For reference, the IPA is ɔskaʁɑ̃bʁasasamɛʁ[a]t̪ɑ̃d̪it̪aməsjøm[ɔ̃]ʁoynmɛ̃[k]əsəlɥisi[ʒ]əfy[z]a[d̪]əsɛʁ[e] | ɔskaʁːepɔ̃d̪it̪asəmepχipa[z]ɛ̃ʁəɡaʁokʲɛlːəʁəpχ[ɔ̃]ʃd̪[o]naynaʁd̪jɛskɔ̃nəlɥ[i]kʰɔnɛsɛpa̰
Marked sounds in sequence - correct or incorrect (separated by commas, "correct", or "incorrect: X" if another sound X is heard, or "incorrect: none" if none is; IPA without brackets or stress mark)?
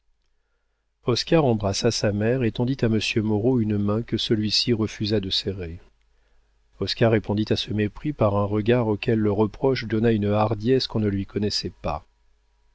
incorrect: e, incorrect: ɔ, correct, incorrect: ʁ, correct, correct, correct, incorrect: ʁ, incorrect: ɔ, incorrect: ɔ, correct